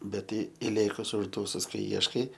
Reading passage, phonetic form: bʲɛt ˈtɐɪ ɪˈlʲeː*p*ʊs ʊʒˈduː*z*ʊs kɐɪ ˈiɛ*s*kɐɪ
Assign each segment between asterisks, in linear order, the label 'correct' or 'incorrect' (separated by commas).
incorrect, incorrect, incorrect